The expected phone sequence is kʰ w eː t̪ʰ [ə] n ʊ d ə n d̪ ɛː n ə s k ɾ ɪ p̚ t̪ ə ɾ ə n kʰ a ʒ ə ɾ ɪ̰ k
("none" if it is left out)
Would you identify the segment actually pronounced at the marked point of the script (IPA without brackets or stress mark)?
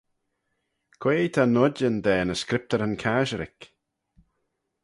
a